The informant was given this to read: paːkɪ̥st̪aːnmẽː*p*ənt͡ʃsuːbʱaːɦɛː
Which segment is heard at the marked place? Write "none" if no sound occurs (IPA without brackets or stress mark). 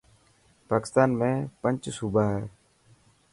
p